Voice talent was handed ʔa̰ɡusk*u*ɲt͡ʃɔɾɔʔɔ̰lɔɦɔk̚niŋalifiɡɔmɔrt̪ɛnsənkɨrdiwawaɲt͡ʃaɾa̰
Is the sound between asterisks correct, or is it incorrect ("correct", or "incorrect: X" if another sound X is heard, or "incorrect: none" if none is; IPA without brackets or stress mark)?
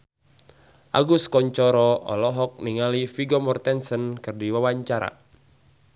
incorrect: ɔ